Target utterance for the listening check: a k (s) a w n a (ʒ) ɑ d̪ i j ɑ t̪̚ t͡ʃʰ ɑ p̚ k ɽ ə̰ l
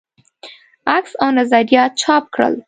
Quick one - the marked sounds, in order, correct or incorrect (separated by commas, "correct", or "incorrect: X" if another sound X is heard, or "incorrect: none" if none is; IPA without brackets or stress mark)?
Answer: correct, incorrect: z